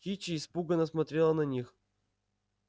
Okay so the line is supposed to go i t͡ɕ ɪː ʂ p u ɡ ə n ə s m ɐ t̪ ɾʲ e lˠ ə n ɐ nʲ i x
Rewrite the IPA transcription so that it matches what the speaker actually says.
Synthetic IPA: i t͡ɕ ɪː s p u ɡ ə n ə s m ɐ t̪ ɾʲ e lˠ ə n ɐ nʲ i x

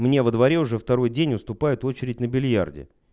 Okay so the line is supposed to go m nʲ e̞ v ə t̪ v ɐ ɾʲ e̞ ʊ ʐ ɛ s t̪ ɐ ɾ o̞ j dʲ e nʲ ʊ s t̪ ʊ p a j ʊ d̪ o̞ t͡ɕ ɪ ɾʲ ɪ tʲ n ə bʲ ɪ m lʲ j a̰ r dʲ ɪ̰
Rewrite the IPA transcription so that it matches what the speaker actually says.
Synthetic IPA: m nʲ e̞ v ə d̪ v ɐ ɾʲ e̞ ʊ ʐ ɛ f t̪ ɐ ɾ o̞ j dʲ e nʲ ʊ s t̪ ʊ p a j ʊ t̪ o̞ t͡ɕ ɪ ɾʲ ɪ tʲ n ə bʲ ɪ lʲ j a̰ r dʲ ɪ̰

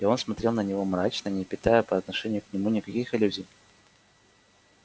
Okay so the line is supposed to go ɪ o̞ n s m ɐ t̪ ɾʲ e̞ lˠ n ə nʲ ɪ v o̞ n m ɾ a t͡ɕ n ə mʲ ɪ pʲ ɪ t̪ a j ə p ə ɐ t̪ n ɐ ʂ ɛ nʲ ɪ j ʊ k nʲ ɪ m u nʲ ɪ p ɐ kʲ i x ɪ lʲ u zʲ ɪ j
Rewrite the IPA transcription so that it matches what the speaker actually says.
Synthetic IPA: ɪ o̞ n s m ɐ t̪ ɾʲ e̞ lˠ n ə nʲ ɪ v o̞ m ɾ a t͡ɕ n ə nʲ ɪ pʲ ɪ t̪ a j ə p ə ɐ t̪ n ɐ ʂ ɛ nʲ ɪ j ʊ k nʲ ɪ m u nʲ ɪ k ɐ kʲ i x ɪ lʲ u zʲ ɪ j

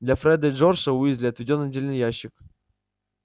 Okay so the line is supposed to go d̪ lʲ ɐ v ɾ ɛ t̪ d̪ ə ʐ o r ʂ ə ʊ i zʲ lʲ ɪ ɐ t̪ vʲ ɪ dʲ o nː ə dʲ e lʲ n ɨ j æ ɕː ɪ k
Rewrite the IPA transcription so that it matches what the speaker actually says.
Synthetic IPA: d̪ lʲ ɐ f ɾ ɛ d̪ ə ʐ o r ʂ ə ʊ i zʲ lʲ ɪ ɐ t̪ vʲ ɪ dʲ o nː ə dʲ e lʲ n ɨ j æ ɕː ɪ k

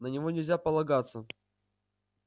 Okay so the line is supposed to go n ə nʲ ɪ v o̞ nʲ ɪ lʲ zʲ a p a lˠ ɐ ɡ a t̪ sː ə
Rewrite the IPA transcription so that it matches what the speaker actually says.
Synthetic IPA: n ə nʲ ɪ v o̞ nʲ ɪ lʲ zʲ a p ə lˠ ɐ ɡ a t̪ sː ə

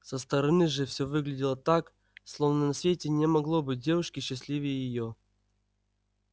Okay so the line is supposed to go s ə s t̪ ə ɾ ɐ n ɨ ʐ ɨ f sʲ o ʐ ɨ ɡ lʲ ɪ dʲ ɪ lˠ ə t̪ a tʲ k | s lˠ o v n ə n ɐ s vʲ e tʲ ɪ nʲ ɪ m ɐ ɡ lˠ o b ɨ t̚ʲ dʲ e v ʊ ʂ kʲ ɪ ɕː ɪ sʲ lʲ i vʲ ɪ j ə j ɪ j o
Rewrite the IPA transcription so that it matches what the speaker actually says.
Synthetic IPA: s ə s t̪ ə ɾ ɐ n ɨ ʐ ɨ f sʲ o v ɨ ɡ lʲ ɪ dʲ ɪ lˠ ə t̪ a k | s lˠ o v n ə n ɐ s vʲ e tʲ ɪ nʲ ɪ m ɐ ɡ lˠ o b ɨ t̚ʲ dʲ e v ʊ ʂ kʲ ɪ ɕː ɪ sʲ lʲ i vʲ ɪ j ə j ɪ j o

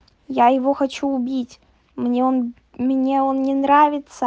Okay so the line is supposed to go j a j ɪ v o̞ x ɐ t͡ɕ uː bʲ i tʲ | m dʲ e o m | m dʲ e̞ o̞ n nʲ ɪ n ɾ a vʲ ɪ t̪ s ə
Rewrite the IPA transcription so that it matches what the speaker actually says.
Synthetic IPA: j a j ɪ v o̞ x ɐ t͡ɕ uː bʲ i tʲ | m nʲ e o n | m nʲ e̞ o̞ n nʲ ɪ n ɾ a vʲ ɪ t̪ s ə

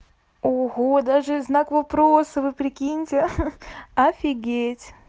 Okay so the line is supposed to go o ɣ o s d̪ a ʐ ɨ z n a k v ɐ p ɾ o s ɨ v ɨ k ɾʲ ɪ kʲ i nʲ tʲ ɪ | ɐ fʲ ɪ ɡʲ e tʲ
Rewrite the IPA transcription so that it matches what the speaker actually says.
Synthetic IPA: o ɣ o d̪ a ʐ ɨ z n a k v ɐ p ɾ o s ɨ v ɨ p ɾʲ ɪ kʲ i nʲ tʲ ɪ | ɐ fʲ ɪ ɡʲ e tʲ

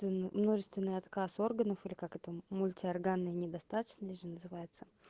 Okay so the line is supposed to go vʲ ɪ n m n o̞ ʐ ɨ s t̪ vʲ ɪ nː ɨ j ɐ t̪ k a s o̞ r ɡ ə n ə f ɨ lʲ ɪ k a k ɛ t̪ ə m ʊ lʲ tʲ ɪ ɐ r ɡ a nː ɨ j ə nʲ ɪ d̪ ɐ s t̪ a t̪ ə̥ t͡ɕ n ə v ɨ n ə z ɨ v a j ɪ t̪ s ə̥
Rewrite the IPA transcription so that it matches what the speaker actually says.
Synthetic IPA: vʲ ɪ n m n o̞ ʐ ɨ s t̪ vʲ ɪ nː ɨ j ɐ t̪ k a s o̞ r ɡ ə n ə f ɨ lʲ ɪ k a k ɛ t̪ ə m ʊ lʲ tʲ ɪ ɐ r ɡ a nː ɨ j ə nʲ ɪ d̪ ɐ s t̪ a t̪ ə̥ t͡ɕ n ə ʐ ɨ n ə z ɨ v a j ɪ t̪ s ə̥

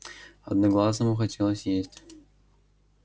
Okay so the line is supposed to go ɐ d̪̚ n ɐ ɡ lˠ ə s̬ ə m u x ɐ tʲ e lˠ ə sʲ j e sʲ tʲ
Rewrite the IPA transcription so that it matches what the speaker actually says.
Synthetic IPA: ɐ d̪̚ n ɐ ɡ lˠ a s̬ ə m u x ɐ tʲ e lˠ ə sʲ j e sʲ tʲ

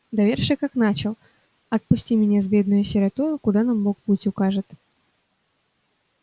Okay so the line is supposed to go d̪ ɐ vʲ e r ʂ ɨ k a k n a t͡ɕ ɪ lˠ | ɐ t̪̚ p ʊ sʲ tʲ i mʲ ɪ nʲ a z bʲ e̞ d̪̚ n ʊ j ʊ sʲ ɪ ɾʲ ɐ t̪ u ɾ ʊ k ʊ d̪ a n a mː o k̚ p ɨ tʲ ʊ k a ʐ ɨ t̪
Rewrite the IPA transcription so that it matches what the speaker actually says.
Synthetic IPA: d̪ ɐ vʲ e r ʂ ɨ k a k n a t͡ɕ ɪ lˠ | ɐ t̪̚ p ʊ sʲ tʲ i mʲ ɪ nʲ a z bʲ e̞ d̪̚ n ʊ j ʊ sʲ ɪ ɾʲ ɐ t̪ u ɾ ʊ k ʊ d̪ a n a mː o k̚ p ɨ tʲ ʊ k a ʐ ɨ t̪

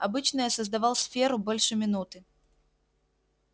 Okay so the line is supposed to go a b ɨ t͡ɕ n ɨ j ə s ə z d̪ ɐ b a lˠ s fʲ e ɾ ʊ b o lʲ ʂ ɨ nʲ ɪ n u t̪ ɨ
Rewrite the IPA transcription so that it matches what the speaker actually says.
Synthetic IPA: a b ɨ t͡ɕ n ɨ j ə s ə z d̪ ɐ v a lˠ s fʲ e ɾ ʊ b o lʲ ʂ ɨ mʲ ɪ n u t̪ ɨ

